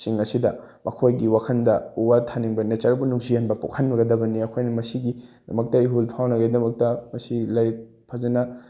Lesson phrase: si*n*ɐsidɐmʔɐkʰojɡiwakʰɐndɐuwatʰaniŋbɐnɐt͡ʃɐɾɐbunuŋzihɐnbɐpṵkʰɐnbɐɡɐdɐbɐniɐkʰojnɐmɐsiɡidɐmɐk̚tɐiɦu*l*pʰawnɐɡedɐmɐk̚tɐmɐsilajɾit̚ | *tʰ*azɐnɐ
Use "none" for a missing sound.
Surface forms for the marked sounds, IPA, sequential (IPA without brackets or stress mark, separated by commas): ŋ, l, pʰ